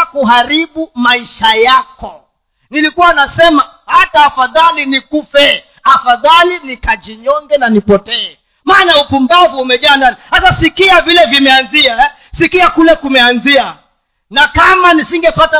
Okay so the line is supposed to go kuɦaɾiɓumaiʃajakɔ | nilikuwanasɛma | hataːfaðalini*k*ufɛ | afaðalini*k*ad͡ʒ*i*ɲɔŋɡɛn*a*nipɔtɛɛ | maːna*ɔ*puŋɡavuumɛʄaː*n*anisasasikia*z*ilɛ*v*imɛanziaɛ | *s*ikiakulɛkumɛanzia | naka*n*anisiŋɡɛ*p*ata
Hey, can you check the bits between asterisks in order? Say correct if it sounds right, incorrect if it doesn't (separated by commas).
correct, correct, correct, correct, incorrect, correct, incorrect, correct, correct, incorrect, correct